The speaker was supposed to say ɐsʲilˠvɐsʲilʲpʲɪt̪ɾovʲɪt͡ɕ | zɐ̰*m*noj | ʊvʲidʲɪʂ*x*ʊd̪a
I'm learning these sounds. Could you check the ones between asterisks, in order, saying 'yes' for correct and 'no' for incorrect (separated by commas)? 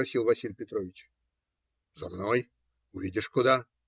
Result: yes, no